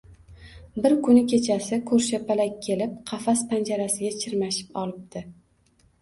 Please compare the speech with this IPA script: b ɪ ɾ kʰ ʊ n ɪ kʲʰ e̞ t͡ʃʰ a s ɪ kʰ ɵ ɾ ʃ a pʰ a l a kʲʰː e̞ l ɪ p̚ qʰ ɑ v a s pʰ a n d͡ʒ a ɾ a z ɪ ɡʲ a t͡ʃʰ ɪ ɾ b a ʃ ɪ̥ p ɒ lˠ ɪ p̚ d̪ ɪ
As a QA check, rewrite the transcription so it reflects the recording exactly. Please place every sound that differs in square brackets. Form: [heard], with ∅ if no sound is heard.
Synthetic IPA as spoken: b ɪ ɾ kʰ ʊ n ɪ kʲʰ e̞ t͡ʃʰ a s ɪ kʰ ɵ ɾ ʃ a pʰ a l a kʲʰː e̞ l ɪ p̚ qʰ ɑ [f] a s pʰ a n d͡ʒ a ɾ a [s] ɪ ɡʲ a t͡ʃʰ ɪ ɾ [m] a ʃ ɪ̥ p ɒ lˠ ɪ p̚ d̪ ɪ